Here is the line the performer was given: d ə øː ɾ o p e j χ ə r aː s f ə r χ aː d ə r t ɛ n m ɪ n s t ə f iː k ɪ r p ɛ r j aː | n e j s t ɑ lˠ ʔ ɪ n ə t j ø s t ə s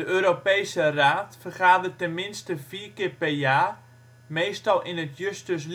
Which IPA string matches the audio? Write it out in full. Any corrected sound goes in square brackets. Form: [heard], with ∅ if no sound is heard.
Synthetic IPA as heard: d ə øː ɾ o p e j [s] ə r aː [t] f ə r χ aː d ə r t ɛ n m ɪ n s t ə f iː k ɪ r p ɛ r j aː | [m] e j s t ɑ lˠ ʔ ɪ n ə t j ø s t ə s